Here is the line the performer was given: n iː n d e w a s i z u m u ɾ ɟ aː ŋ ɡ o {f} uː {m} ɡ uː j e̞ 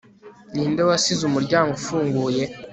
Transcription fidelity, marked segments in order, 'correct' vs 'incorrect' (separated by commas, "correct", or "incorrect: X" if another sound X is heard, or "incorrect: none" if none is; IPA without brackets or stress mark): correct, incorrect: ŋ